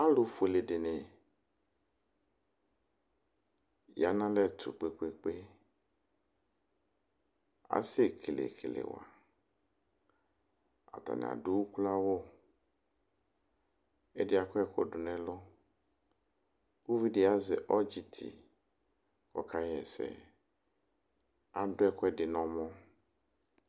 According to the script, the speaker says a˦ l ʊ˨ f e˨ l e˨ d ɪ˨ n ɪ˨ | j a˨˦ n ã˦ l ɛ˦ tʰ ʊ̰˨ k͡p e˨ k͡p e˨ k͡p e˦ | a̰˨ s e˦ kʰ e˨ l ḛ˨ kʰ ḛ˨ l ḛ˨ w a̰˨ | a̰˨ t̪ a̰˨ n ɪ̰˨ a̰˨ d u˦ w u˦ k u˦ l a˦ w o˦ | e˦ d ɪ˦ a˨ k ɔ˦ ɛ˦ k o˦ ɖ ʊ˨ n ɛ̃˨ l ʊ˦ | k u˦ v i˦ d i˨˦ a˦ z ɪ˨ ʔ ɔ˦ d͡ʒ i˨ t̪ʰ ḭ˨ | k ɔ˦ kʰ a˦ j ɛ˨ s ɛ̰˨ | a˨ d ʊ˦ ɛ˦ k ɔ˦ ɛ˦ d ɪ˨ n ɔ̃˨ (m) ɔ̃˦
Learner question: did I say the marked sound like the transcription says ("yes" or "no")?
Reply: yes